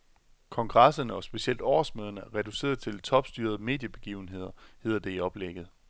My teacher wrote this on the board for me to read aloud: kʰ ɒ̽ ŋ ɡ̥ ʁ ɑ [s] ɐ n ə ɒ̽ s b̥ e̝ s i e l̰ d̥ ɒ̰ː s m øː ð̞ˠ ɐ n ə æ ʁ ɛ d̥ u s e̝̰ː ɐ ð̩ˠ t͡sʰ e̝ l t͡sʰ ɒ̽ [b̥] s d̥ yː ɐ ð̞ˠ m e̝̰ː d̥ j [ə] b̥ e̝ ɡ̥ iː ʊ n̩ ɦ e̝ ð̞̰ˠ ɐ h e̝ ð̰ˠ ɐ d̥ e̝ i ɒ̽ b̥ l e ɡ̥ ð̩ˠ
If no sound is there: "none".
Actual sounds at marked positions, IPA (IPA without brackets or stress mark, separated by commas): s, b̥, ə